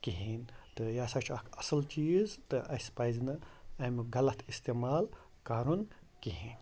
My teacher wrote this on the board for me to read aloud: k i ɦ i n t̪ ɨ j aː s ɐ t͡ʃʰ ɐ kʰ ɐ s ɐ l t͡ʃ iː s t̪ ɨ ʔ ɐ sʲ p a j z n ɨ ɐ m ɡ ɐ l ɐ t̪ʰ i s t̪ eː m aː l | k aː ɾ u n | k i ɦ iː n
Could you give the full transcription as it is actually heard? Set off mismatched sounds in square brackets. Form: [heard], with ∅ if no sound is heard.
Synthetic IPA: k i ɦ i n t̪ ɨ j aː s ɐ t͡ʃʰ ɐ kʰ ɐ s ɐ l t͡ʃ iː [z] t̪ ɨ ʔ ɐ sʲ p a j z n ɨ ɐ m ɡ ɐ l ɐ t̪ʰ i s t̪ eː m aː l | k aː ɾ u n | k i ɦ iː n